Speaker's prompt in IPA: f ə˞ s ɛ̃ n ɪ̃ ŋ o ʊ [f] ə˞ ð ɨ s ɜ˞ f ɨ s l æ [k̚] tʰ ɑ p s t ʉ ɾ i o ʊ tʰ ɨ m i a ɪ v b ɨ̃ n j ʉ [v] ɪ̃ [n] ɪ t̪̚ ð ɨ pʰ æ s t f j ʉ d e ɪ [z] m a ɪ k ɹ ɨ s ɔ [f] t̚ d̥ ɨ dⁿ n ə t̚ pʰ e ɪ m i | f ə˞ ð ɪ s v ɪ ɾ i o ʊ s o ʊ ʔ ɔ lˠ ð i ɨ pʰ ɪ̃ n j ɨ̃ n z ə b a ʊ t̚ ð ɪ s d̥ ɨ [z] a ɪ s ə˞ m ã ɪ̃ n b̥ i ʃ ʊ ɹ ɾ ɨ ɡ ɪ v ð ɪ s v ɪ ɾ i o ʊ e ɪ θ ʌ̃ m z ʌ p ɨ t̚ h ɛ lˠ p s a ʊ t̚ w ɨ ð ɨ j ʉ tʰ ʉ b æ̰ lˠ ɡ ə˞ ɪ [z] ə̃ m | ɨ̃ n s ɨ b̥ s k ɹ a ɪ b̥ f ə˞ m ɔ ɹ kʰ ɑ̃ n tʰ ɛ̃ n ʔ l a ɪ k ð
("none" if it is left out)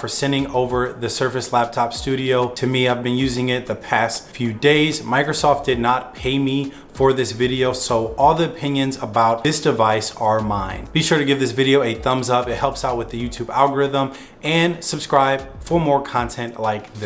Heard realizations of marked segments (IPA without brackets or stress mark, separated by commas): v, p̚, z, ŋ, z, f, v, ð